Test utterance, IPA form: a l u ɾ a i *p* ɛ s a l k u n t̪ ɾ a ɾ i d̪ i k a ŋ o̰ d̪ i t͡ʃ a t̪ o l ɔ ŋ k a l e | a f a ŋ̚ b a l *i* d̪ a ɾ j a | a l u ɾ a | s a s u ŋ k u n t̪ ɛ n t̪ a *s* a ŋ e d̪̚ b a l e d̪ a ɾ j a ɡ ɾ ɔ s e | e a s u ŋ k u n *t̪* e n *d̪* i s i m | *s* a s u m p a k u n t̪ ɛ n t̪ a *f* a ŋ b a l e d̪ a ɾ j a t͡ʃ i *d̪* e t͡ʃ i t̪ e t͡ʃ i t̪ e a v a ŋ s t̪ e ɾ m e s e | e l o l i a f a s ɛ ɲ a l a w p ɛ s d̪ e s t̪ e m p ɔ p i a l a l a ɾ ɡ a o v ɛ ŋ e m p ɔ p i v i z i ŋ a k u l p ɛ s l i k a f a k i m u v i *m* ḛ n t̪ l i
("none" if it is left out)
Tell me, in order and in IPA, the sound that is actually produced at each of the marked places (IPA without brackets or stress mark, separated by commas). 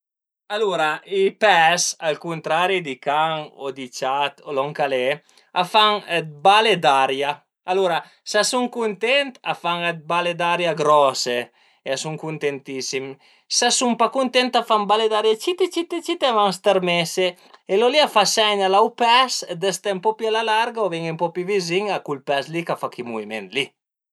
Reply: p, e, f, t̪, t̪, s, f, t̪, m